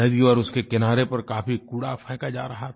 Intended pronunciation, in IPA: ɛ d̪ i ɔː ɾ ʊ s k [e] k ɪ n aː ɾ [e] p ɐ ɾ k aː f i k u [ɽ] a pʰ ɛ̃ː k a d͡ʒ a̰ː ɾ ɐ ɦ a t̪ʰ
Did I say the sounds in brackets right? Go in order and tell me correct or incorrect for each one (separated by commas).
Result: correct, correct, correct